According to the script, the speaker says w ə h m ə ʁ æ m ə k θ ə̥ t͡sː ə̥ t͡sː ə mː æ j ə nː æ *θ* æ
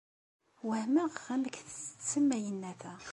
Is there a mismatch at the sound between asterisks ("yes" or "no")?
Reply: no